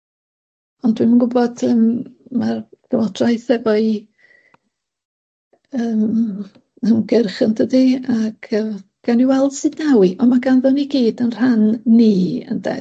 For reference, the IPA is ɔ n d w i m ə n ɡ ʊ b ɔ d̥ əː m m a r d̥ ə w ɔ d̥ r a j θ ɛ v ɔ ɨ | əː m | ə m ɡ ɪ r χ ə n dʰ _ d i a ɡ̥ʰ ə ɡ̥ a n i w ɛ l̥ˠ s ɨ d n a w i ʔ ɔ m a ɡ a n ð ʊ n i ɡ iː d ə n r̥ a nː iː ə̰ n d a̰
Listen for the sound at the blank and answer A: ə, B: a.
A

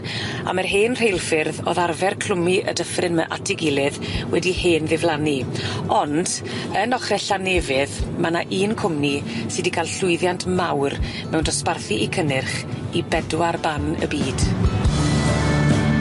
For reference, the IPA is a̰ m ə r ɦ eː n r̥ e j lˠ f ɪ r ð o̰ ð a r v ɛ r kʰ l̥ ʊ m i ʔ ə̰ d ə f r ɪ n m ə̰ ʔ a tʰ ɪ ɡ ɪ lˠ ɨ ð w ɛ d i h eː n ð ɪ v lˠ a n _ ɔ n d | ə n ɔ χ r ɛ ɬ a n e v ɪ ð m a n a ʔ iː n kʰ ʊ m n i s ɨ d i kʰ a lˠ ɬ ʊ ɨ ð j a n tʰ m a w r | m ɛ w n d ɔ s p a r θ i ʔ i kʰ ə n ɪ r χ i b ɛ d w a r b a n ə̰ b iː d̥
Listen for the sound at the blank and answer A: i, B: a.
A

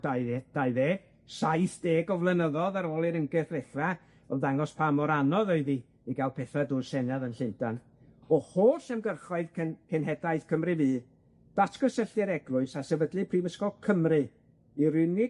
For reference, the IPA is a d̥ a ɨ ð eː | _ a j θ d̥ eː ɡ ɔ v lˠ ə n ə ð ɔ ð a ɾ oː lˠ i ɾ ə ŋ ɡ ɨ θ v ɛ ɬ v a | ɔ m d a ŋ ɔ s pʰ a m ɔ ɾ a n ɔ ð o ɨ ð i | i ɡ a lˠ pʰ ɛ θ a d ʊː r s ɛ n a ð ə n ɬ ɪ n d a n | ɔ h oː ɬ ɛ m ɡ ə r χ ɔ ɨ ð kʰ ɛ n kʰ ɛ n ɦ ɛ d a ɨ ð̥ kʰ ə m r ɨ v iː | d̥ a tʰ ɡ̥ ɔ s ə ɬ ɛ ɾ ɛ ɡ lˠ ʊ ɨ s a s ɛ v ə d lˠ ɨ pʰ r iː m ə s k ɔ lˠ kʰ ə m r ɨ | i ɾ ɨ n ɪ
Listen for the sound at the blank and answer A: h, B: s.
B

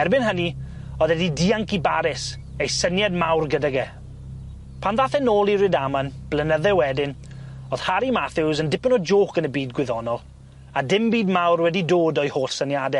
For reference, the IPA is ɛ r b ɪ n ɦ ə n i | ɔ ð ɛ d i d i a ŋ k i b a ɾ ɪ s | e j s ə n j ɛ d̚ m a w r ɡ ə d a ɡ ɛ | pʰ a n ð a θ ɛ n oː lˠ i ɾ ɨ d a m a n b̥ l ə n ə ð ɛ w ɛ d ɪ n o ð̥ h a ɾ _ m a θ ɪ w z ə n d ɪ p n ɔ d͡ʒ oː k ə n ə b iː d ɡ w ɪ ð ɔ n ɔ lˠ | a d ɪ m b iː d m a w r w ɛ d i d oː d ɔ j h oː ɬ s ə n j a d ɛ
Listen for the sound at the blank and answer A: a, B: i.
B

